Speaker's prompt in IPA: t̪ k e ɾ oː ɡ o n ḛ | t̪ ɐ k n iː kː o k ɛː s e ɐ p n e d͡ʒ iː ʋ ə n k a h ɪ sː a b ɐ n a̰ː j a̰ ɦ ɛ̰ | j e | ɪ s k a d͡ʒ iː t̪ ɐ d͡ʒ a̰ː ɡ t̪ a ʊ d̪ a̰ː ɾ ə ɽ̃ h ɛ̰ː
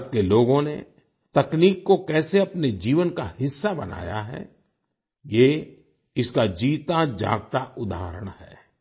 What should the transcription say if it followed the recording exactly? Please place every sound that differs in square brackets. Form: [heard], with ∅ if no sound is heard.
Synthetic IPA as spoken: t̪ k e [l] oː ɡ [õ] n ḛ | t̪ ɐ k n iː kː o k ɛː s e ɐ p n e d͡ʒ iː ʋ ə n k a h ɪ sː a b ɐ n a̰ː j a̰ ɦ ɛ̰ | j e | ɪ s k a d͡ʒ iː t̪ [a] d͡ʒ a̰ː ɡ t̪ a ʊ d̪ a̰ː ɾ ə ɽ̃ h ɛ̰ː